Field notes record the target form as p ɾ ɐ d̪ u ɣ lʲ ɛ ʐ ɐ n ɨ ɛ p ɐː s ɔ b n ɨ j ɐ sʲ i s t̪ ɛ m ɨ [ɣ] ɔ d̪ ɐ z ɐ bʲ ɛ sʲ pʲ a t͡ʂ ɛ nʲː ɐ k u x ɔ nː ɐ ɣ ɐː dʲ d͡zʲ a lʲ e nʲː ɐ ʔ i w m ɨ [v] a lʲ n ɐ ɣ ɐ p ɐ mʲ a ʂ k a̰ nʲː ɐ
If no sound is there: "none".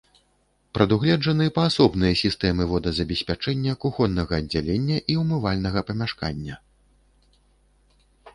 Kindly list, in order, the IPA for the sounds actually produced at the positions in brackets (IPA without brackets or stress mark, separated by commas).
v, v